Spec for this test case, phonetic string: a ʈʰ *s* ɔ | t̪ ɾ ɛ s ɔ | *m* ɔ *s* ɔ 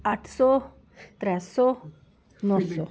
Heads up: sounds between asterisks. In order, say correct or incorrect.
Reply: correct, incorrect: n, correct

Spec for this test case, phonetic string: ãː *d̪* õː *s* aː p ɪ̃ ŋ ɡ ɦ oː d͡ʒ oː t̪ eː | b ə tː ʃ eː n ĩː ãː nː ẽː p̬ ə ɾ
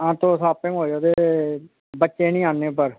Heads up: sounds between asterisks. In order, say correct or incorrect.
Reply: incorrect: t̪, correct

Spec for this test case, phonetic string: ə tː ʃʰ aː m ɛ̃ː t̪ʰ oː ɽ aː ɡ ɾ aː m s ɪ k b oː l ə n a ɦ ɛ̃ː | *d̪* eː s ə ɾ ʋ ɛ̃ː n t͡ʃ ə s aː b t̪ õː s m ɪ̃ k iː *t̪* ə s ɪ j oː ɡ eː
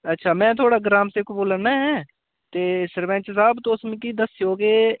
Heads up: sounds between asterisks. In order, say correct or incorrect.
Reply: incorrect: t̪, incorrect: d̪

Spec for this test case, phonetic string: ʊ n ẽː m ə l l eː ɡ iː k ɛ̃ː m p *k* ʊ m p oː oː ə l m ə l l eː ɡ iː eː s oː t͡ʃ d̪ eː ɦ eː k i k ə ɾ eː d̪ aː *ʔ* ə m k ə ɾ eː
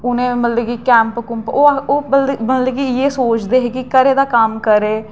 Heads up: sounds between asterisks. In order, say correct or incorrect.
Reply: correct, incorrect: k

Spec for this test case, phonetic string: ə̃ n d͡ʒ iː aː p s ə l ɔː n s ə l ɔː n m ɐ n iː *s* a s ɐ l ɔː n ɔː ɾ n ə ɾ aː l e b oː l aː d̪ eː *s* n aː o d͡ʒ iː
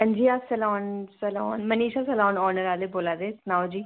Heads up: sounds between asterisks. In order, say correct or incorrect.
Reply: incorrect: ʃ, correct

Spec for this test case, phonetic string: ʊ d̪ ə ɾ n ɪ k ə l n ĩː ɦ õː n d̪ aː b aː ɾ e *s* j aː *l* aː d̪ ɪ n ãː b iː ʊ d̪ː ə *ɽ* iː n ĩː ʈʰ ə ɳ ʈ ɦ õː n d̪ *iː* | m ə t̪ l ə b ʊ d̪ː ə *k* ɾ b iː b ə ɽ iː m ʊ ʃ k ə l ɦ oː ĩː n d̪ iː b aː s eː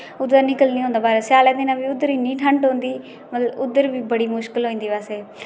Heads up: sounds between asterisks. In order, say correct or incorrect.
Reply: correct, correct, incorrect: ɾ, correct, incorrect: none

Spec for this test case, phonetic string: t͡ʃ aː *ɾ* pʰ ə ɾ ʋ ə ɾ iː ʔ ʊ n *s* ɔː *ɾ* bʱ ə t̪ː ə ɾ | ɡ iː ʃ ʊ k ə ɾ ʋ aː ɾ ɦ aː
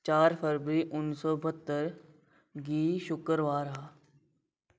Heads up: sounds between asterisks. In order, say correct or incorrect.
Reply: correct, correct, incorrect: none

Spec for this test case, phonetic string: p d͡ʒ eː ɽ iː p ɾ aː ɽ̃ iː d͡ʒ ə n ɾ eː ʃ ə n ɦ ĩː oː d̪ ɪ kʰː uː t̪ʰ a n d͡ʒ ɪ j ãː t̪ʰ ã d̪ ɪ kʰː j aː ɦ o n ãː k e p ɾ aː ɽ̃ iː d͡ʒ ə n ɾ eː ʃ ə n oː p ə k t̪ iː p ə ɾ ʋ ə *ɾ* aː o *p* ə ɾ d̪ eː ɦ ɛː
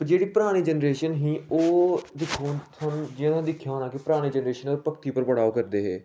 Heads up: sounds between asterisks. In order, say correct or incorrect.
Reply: incorrect: ɽ, incorrect: k

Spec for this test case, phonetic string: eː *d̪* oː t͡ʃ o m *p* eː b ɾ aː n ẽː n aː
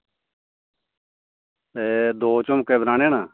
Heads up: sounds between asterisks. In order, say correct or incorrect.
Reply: correct, incorrect: k

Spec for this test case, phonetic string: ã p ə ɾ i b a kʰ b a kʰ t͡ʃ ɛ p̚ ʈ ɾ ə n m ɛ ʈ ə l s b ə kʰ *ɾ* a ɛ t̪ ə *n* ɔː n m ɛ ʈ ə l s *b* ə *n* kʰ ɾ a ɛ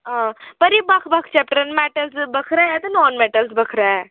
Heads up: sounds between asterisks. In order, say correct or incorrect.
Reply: correct, correct, correct, incorrect: none

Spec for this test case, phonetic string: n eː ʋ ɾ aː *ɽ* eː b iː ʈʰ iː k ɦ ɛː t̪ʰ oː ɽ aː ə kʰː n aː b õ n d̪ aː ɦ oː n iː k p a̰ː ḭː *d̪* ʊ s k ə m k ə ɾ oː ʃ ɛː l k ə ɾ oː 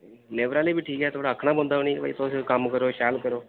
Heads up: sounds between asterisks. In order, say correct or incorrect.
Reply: incorrect: l, incorrect: t̪

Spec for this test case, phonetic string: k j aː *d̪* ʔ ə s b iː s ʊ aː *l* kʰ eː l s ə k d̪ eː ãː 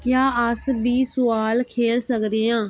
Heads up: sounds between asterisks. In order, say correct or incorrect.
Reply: incorrect: none, correct

